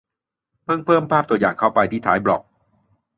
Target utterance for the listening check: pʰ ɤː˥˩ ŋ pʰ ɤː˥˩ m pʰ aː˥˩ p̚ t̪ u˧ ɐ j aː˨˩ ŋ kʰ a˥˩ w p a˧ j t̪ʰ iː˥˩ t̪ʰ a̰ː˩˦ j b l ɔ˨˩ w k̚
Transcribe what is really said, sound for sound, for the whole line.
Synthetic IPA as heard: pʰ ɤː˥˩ ŋ pʰ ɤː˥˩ m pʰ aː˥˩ p̚ t̪ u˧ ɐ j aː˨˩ ŋ kʰ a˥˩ w p a˧ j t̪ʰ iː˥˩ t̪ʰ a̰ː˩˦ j b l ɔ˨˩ k̚